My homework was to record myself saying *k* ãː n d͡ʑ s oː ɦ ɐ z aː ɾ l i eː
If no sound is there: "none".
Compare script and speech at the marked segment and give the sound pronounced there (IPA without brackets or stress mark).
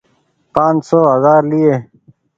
p